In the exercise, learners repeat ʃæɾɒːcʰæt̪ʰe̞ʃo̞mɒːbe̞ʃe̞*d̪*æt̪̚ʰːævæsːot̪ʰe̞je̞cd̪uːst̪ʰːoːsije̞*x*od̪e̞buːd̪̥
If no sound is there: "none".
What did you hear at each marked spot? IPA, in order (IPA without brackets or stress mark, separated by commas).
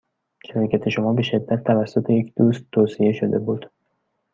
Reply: d̪ː, ʃ